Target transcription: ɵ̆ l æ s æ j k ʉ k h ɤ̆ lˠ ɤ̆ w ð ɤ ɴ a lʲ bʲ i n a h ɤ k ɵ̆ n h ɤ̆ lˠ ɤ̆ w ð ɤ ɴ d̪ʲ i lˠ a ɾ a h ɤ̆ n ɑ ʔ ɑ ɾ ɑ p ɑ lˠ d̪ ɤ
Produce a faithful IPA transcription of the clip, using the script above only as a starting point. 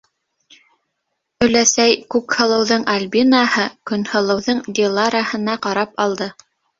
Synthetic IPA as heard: ɵ̆ l æ s æ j k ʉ k h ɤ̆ lˠ ɤ̆ w ð ɤ ɴ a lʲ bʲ i n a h ɤ k ɵ̆ n h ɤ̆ lˠ ɤ̆ w ð ɤ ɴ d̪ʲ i lˠ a ɾ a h ɤ̆ n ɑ q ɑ ɾ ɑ p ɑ lˠ d̪ ɤ